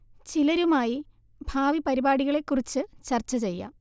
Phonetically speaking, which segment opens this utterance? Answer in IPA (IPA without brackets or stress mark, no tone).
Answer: t͡ɕ